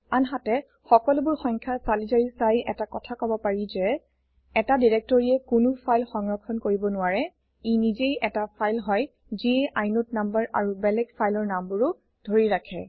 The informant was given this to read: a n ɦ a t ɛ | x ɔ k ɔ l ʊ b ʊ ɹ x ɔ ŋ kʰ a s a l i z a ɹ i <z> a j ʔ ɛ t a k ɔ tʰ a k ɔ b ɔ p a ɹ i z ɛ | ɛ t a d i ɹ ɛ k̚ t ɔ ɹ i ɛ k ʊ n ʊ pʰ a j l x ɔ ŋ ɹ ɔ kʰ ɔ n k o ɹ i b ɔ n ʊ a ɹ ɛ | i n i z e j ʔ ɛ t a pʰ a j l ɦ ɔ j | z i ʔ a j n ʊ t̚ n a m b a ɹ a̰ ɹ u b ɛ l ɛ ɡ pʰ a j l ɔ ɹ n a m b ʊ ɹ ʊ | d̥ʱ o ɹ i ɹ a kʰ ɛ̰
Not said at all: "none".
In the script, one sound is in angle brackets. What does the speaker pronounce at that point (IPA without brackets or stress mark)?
s